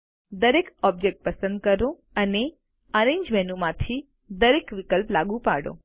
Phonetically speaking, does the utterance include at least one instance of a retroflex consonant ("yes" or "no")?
yes